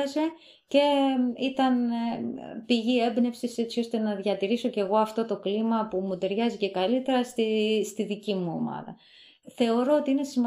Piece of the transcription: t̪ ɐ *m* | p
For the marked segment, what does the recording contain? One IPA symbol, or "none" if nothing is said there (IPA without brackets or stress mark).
n